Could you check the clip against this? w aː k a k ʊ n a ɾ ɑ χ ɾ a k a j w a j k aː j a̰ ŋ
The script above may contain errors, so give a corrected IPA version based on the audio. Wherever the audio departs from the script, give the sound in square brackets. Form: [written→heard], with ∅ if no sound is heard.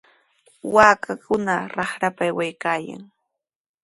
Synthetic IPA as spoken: w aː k a k ʊ n a ɾ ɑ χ ɾ a [k→p] a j w a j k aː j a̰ ŋ